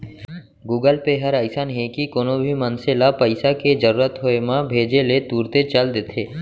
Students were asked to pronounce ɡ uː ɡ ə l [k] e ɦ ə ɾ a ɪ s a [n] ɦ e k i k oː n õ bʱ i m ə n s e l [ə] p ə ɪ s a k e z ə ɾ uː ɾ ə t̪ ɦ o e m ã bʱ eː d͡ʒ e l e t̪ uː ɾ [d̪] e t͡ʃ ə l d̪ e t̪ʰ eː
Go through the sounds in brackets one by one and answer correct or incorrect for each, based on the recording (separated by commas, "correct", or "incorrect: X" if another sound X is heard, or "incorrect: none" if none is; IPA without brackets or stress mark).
incorrect: p, correct, incorrect: a, incorrect: t̪